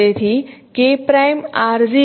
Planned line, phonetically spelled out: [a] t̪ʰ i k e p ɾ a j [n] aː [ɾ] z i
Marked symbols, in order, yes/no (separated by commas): no, no, yes